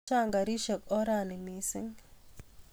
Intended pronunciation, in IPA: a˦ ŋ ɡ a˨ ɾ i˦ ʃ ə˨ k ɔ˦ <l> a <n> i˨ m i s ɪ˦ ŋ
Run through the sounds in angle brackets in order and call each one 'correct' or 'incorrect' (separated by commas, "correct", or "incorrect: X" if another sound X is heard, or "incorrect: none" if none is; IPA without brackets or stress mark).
incorrect: ɾ, correct